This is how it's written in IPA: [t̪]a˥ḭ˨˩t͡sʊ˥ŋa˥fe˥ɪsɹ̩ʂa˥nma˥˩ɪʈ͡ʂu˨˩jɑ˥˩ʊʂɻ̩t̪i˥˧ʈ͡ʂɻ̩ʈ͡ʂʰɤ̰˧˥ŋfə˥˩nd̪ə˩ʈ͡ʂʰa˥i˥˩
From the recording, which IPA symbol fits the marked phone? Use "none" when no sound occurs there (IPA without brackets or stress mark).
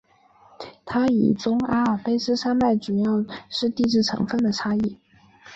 t̪ʰ